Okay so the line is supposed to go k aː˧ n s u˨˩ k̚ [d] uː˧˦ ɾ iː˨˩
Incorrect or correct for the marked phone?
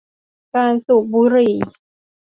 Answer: incorrect: b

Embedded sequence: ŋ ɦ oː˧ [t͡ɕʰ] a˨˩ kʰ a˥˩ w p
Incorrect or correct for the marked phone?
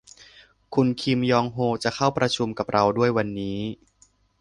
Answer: incorrect: t͡ɕ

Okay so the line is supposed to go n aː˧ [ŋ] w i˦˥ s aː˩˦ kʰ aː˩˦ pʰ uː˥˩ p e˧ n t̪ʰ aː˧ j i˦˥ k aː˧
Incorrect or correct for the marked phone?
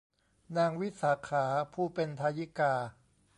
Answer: correct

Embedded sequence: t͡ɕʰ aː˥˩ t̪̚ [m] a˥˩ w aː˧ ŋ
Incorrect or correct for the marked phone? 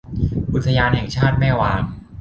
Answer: correct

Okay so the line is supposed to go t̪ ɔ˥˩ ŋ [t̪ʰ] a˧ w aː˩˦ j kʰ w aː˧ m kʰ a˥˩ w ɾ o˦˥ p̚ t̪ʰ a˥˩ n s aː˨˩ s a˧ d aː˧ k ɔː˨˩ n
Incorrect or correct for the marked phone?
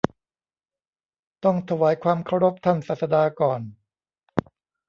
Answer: correct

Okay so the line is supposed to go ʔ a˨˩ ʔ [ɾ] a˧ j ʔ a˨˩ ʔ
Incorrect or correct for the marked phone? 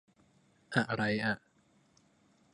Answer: correct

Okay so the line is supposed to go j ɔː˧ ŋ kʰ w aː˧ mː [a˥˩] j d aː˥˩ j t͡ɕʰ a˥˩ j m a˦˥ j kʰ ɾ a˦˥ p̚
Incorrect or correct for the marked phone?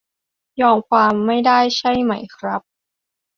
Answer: correct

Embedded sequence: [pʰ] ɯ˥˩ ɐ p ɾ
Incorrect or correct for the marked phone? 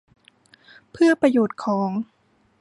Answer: correct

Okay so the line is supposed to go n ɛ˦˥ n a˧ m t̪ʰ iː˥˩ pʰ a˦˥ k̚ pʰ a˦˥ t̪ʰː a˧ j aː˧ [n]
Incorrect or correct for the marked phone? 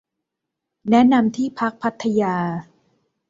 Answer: incorrect: none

